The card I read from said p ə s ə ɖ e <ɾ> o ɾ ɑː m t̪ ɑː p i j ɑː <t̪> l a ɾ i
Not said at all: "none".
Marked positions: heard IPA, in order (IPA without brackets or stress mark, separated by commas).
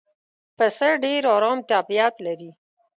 ɾ, t̪